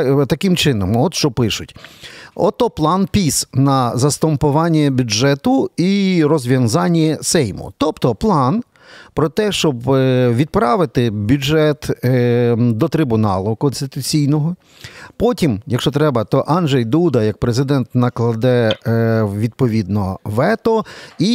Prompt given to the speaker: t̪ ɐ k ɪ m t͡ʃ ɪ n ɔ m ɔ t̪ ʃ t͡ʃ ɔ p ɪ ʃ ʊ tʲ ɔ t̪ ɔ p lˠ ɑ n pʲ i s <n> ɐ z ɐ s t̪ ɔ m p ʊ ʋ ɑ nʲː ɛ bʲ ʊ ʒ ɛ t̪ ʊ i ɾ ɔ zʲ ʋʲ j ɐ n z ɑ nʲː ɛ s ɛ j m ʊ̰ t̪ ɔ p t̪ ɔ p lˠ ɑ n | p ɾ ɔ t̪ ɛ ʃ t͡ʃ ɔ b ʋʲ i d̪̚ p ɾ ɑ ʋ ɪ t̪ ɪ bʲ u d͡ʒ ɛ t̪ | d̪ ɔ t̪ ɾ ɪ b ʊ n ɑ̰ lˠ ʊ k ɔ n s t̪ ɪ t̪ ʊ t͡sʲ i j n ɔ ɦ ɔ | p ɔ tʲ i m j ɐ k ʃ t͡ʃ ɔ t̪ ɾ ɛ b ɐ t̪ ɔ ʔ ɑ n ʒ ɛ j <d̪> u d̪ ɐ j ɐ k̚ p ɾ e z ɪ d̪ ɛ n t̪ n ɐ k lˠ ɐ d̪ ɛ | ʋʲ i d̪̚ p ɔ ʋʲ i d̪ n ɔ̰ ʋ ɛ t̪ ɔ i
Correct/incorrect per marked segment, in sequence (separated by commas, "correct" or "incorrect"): correct, correct